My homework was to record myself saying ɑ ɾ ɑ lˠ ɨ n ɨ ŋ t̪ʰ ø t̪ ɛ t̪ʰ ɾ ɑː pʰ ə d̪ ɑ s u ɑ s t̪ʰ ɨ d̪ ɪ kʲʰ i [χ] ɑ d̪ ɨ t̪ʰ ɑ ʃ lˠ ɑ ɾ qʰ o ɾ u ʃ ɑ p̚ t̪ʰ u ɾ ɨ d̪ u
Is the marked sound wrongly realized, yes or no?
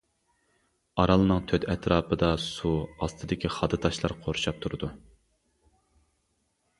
no